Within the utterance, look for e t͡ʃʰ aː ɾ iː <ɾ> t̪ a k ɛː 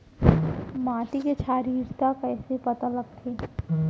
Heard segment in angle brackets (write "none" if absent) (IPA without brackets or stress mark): ɾ